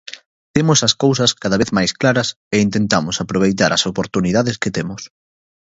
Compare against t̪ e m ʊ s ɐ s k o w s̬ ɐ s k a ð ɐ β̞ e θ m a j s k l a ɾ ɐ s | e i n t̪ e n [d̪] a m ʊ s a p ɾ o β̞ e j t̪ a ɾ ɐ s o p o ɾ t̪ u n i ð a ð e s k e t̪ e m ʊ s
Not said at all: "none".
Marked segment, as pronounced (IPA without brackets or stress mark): t̪